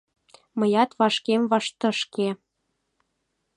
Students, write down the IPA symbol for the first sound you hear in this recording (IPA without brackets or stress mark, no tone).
m